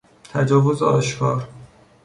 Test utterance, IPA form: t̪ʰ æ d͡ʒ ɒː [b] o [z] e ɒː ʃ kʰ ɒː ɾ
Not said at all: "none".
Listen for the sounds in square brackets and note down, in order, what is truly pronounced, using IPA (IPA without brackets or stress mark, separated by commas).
v, z